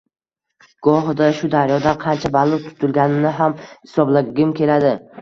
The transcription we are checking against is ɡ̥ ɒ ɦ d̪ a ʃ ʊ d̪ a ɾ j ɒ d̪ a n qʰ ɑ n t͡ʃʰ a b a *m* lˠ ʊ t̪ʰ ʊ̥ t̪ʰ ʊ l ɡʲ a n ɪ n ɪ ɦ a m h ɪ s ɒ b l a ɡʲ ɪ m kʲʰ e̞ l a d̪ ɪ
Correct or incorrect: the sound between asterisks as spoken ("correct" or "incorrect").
incorrect